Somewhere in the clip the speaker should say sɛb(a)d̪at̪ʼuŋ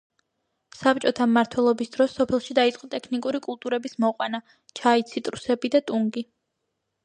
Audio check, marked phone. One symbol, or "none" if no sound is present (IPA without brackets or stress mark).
i